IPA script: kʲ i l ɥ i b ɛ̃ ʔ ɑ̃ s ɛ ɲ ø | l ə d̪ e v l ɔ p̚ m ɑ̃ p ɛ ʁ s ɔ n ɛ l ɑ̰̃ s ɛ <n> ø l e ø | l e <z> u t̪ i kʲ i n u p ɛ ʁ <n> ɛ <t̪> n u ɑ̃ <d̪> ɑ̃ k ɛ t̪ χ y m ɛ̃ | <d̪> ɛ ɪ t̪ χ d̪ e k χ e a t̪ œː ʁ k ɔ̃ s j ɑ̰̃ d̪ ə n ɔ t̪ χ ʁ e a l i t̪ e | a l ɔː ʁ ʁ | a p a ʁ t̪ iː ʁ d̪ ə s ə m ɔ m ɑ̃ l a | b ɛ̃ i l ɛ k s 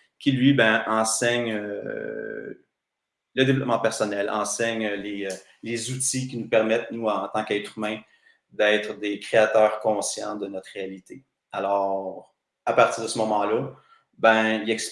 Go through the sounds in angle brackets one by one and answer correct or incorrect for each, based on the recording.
incorrect: ɲ, correct, incorrect: m, correct, incorrect: t̪, correct

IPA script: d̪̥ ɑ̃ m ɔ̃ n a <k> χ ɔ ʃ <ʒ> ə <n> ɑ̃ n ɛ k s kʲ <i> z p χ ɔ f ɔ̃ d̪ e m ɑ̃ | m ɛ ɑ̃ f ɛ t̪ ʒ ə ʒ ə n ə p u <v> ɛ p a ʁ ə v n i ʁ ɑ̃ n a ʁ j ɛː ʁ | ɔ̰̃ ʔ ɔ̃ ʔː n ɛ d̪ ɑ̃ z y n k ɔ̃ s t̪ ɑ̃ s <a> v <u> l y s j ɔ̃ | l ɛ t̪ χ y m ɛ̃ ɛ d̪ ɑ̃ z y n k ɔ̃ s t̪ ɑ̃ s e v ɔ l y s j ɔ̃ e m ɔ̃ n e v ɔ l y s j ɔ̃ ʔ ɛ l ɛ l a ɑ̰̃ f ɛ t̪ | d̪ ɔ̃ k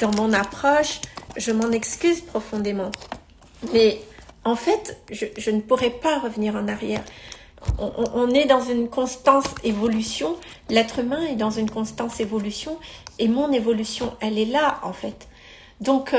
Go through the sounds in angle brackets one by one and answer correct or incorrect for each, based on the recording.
incorrect: p, correct, incorrect: m, incorrect: y, incorrect: ʁ, incorrect: e, incorrect: ɔ

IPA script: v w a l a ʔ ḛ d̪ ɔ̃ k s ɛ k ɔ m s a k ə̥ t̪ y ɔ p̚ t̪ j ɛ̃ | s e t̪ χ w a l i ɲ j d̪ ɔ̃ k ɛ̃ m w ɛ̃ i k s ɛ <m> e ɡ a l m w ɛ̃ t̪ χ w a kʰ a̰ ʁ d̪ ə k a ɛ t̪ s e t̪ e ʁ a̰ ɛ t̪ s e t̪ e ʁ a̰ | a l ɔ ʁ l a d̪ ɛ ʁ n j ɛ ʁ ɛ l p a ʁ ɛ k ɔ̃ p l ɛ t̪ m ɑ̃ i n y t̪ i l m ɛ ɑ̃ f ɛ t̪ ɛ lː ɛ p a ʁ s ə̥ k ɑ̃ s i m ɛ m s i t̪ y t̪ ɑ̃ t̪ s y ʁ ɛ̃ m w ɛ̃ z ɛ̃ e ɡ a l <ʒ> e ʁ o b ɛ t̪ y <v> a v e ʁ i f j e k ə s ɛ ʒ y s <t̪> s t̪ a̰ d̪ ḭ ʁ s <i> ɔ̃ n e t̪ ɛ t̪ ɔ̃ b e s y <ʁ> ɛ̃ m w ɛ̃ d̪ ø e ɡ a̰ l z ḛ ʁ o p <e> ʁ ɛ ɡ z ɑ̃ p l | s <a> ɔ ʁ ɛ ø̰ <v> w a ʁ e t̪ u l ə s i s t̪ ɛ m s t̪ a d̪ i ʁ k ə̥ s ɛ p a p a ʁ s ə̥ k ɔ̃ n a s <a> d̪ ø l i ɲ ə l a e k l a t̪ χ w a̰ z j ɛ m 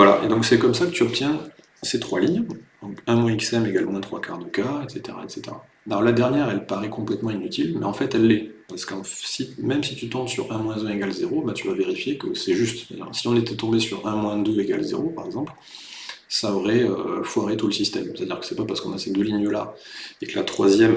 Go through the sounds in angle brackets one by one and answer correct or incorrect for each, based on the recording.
correct, incorrect: z, correct, correct, correct, correct, incorrect: a, correct, incorrect: f, incorrect: e

